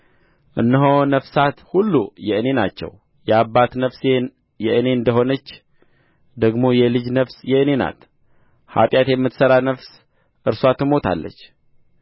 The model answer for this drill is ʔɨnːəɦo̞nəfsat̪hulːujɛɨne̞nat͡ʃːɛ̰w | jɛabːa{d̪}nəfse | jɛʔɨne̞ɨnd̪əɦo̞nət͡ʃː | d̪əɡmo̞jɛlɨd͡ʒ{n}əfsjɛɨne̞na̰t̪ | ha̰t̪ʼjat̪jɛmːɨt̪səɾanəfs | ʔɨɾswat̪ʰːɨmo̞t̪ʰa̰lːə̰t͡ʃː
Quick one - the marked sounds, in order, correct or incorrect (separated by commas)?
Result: incorrect, correct